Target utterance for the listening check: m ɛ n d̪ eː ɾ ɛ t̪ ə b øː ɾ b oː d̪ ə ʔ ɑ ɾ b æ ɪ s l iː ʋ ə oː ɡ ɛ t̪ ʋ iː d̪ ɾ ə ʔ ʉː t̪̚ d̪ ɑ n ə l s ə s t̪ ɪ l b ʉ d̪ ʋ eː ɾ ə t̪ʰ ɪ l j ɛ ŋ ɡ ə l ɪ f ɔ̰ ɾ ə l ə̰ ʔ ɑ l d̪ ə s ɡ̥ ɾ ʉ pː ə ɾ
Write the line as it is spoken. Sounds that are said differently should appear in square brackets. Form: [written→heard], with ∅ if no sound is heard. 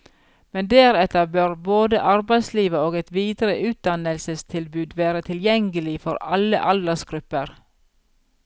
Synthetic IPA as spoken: m ɛ n d̪ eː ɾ ɛ t̪ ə b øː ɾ b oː d̪ ə ʔ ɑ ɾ b æ ɪ s l iː ʋ ə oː ɡ ɛ t̪ ʋ iː d̪ ɾ ə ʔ ʉː t̪̚ d̪ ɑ n ə l s ə s [t̪→t̪ʰ] ɪ l b [ʉ→ʉː] d̪ ʋ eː ɾ ə t̪ʰ ɪ l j ɛ ŋ ɡ ə l ɪ f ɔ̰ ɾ [ə→ɑ] l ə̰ ʔ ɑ l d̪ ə s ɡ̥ ɾ ʉ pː ə ɾ